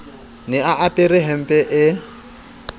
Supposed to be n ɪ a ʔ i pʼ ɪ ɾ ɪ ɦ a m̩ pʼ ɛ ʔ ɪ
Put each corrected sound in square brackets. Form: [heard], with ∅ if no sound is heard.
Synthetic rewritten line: n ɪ a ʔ [a] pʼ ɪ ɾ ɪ ɦ [ɛ] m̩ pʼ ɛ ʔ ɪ